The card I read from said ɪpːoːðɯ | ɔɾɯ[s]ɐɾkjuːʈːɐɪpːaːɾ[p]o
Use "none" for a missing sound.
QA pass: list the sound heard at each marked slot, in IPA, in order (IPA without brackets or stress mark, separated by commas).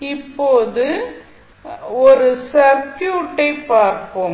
s, k